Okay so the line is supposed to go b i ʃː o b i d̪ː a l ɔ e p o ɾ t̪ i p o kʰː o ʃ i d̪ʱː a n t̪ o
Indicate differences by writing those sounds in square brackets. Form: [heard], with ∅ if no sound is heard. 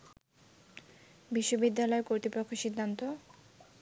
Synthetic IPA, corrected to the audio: b i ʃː o b i d̪ː a l ɔ e [k] o ɾ t̪ i p o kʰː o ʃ i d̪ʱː a n t̪ o